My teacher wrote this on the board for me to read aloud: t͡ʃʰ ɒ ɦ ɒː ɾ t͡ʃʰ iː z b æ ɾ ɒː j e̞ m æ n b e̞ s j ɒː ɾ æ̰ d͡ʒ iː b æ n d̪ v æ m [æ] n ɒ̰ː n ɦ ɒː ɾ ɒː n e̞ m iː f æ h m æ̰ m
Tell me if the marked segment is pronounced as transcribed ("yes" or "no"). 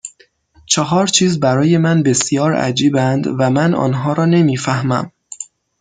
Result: yes